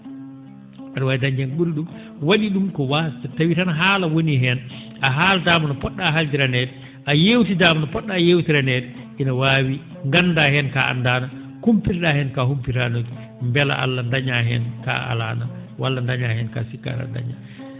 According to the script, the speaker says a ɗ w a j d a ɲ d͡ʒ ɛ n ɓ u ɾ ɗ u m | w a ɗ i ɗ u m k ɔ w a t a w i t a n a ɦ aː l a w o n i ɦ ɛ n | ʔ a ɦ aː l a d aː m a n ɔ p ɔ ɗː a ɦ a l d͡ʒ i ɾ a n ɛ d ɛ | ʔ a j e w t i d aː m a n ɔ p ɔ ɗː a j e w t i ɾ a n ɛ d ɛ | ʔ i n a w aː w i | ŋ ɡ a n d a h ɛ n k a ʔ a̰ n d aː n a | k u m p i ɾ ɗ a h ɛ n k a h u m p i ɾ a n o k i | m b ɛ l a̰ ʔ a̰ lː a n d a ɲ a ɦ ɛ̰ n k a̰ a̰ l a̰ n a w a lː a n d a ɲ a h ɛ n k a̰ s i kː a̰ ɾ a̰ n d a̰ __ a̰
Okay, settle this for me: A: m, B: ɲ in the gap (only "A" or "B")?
B